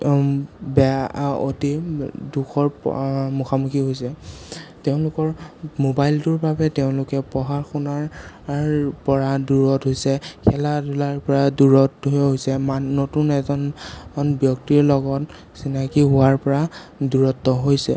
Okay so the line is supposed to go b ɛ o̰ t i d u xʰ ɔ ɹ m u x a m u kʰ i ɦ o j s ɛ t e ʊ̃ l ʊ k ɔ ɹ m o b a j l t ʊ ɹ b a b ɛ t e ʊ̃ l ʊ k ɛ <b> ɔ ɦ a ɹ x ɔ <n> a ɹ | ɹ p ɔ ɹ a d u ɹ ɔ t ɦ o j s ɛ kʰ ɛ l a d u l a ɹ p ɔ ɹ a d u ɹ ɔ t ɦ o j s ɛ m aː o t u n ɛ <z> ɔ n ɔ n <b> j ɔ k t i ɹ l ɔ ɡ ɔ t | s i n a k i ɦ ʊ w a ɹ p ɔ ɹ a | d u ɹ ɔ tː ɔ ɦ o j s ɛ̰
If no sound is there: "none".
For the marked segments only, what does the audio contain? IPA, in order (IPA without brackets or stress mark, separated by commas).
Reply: p, n, z, b